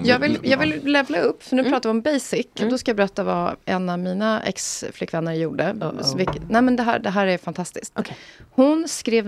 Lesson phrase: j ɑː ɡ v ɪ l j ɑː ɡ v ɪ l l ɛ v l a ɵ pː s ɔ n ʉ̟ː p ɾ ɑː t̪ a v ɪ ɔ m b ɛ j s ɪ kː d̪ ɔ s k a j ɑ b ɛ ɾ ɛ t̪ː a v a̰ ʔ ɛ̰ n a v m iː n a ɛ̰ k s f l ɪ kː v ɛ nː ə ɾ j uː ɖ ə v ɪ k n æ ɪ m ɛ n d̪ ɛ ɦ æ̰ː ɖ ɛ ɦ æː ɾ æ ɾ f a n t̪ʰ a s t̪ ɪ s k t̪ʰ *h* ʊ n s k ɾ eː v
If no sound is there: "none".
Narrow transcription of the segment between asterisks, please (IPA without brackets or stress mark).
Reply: h